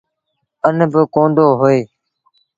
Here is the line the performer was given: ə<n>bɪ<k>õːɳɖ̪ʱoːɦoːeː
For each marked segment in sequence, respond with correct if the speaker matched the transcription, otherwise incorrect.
correct, correct

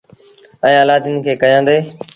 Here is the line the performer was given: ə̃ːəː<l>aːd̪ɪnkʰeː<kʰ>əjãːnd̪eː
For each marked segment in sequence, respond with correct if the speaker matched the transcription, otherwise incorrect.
correct, incorrect

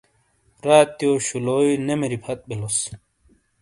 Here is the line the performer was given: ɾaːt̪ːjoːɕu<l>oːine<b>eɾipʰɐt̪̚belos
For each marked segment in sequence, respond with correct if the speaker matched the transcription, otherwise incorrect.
correct, incorrect

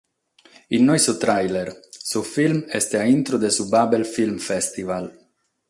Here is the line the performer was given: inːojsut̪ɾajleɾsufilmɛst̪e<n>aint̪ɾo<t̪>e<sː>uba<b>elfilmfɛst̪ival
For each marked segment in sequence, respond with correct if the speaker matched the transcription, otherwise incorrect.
incorrect, incorrect, incorrect, correct

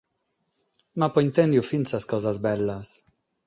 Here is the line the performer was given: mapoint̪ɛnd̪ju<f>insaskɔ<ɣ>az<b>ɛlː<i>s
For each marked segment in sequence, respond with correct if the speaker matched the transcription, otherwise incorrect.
correct, incorrect, correct, incorrect

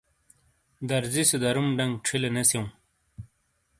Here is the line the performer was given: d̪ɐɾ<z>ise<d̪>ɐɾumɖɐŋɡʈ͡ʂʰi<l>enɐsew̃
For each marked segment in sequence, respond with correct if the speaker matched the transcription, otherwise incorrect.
correct, correct, correct

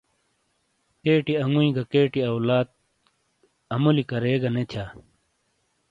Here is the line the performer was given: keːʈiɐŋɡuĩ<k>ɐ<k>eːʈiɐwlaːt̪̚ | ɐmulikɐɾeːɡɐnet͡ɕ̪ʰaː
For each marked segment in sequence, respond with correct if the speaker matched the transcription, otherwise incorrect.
incorrect, correct

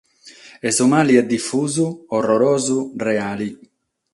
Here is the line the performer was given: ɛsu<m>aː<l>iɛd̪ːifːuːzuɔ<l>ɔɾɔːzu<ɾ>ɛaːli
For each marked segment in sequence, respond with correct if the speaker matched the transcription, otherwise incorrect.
correct, correct, incorrect, incorrect

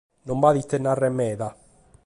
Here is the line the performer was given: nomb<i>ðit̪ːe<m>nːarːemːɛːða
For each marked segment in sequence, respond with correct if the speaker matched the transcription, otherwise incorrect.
incorrect, incorrect

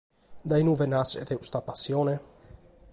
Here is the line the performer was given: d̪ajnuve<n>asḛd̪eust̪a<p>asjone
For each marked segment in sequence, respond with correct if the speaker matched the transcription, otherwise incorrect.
correct, correct

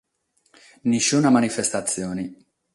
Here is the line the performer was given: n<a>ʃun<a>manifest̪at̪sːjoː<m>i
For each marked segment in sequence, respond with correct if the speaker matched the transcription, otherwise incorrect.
incorrect, correct, incorrect

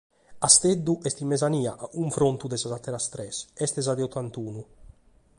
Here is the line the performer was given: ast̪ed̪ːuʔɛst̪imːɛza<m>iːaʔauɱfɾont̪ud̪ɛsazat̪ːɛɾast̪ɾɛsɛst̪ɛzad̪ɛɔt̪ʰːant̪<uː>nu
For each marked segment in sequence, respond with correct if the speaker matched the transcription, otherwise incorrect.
incorrect, correct

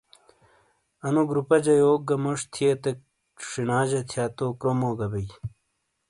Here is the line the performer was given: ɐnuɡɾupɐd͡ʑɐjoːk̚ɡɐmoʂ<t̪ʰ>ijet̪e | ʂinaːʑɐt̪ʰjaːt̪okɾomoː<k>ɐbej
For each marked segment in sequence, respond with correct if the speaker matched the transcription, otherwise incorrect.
correct, incorrect

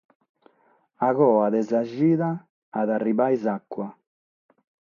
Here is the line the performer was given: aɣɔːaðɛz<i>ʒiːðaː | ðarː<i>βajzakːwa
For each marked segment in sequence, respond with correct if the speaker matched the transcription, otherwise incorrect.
incorrect, correct

